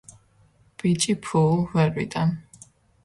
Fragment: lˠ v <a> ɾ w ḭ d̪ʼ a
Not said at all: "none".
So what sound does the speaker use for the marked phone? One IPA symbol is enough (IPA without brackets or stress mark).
ɛ